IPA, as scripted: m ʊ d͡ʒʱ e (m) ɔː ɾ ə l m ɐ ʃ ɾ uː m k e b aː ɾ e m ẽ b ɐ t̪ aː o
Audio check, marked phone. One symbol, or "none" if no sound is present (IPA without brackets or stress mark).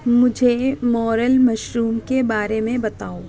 m